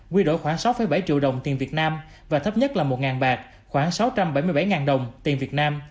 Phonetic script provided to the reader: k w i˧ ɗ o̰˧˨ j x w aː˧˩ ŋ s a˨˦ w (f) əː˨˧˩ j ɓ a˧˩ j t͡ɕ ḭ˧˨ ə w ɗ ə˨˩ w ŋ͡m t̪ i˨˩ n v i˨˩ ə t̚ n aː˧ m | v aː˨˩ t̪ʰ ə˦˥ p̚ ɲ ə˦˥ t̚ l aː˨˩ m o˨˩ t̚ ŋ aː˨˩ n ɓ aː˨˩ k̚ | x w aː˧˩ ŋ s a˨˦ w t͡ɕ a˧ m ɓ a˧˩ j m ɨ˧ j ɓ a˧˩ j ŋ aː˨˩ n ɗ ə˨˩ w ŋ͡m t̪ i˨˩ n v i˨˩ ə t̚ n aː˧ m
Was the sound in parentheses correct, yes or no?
yes